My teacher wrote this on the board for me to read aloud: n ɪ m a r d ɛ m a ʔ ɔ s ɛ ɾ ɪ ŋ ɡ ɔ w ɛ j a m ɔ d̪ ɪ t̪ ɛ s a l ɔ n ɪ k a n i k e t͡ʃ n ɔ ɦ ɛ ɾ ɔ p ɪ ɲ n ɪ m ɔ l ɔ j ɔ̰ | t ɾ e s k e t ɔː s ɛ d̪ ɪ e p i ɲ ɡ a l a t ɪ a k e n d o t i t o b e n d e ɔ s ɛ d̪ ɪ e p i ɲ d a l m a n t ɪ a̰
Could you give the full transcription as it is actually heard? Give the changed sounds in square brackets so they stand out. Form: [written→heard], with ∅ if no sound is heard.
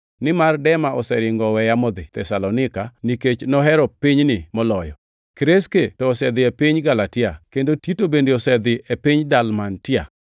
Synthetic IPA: n ɪ m a r d ɛ m a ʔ ɔ s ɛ ɾ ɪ ŋ ɡ ɔ w ɛ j a m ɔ d̪ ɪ t̪ ɛ s a l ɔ n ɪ k a n i k e t͡ʃ n ɔ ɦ ɛ ɾ ɔ p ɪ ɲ n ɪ m ɔ l ɔ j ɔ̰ | [t→k] ɾ e s k e t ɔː s ɛ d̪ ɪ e p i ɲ ɡ a l a t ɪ a k e n d o t i t o b e n d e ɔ s ɛ d̪ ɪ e p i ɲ d a l m a n t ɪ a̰